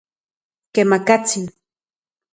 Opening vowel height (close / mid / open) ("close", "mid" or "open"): mid